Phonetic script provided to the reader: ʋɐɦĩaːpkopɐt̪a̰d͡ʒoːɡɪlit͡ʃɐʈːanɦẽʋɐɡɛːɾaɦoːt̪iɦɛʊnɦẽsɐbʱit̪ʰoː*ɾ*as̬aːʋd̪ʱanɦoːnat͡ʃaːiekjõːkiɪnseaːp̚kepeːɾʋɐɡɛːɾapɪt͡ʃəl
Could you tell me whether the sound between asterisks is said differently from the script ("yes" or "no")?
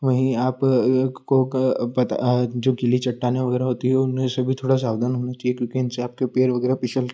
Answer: yes